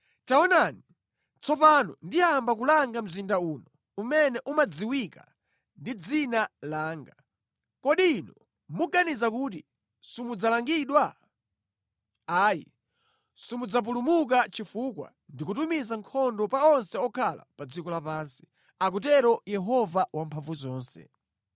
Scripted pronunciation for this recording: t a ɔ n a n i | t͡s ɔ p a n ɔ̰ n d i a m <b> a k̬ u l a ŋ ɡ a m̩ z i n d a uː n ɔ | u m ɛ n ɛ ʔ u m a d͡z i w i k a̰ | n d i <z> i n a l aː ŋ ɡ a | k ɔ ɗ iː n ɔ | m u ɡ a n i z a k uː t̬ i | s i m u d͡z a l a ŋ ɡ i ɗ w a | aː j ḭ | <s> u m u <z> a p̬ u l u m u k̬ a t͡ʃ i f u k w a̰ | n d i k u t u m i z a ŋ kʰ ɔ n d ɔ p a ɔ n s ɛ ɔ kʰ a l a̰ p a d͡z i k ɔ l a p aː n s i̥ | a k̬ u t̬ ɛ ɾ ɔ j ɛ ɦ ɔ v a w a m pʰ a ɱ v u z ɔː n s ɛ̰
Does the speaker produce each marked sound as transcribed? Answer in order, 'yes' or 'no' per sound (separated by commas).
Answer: yes, no, yes, no